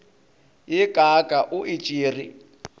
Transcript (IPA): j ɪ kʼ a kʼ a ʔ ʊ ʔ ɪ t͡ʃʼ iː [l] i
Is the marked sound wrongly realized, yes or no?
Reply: yes